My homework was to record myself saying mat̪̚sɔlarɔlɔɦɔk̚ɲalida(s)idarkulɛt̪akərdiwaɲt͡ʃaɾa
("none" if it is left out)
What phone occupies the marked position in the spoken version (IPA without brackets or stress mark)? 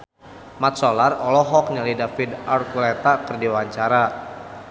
f